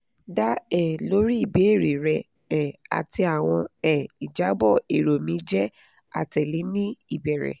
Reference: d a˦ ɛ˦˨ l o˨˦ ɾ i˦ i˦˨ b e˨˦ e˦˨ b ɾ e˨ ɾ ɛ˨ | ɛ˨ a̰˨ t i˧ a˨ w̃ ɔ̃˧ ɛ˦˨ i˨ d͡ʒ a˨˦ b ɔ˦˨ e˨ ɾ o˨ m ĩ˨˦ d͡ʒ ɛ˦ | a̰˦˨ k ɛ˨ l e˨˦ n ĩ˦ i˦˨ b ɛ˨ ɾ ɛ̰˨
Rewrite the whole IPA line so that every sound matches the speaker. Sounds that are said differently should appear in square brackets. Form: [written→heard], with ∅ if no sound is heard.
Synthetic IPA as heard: d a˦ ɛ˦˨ l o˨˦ ɾ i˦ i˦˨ b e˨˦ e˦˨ [b→∅] ɾ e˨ ɾ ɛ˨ | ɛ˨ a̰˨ t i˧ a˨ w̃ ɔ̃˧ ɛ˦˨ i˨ d͡ʒ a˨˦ b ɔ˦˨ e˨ ɾ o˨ m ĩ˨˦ d͡ʒ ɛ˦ | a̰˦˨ [k→t] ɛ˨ l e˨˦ n ĩ˦ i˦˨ b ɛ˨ ɾ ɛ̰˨